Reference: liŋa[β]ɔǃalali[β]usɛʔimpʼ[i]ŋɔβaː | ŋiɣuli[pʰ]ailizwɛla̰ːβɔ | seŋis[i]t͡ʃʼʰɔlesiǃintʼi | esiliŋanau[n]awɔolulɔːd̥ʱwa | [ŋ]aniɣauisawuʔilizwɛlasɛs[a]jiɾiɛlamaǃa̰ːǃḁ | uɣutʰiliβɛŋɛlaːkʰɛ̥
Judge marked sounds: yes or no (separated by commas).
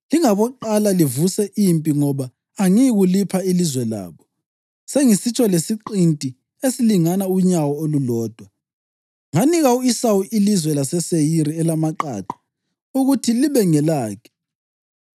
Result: yes, no, yes, yes, yes, no, yes, no